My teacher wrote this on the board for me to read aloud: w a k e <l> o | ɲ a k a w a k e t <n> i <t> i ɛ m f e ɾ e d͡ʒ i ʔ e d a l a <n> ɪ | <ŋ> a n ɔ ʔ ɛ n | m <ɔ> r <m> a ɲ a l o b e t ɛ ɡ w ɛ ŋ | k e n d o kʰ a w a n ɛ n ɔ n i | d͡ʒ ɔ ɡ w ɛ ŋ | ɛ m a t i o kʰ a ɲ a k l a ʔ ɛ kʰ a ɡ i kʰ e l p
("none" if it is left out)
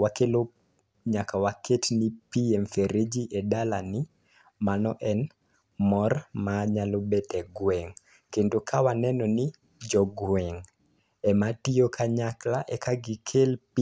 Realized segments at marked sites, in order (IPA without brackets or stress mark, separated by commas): l, n, p, n, m, ɔ, m